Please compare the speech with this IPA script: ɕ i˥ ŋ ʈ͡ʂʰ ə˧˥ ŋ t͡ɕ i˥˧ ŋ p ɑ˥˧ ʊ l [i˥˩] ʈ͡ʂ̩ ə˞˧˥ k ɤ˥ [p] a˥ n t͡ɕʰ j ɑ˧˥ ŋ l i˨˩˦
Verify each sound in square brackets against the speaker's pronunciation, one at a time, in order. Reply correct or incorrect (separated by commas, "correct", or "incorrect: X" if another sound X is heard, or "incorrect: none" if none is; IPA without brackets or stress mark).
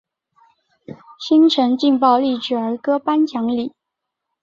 correct, correct